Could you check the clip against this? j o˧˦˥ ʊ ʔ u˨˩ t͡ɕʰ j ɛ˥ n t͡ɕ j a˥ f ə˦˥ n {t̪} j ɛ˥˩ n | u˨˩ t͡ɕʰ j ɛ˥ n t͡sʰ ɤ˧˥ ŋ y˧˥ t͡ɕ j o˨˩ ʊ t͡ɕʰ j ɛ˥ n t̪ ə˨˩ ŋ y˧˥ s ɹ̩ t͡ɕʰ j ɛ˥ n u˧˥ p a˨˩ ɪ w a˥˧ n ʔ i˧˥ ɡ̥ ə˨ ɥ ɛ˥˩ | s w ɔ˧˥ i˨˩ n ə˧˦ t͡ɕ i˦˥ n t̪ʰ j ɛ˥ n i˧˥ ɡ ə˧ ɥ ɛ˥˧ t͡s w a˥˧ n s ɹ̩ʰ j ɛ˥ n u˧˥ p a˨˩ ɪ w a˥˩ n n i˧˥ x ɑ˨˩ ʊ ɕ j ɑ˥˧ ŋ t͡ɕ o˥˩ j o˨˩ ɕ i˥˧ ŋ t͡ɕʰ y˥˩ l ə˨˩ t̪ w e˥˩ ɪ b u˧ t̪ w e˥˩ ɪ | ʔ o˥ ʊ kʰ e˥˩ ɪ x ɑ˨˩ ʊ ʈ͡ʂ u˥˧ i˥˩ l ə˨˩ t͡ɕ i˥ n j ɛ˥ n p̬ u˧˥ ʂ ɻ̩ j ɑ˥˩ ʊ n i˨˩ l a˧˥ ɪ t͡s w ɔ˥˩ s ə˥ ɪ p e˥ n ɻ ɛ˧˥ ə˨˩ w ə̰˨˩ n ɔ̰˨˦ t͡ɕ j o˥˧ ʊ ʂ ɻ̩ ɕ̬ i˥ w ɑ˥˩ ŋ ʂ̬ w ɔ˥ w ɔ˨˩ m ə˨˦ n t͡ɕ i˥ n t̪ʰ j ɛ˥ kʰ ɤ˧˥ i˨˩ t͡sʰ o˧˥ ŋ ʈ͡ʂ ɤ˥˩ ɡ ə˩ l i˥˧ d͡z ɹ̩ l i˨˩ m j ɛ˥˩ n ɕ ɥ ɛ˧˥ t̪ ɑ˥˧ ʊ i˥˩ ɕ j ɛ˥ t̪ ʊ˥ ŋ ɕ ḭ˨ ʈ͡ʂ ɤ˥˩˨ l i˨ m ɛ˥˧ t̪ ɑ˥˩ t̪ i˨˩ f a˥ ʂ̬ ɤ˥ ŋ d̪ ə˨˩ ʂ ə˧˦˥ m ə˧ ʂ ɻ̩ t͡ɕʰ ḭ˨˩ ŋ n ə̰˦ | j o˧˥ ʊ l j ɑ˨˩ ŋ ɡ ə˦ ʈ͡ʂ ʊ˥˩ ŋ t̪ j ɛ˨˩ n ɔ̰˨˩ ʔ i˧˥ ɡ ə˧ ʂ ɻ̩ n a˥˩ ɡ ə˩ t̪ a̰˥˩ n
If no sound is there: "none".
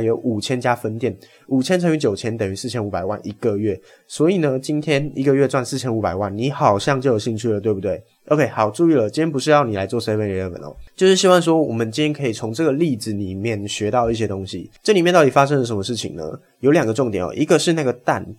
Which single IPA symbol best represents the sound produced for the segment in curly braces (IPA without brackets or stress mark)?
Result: t̪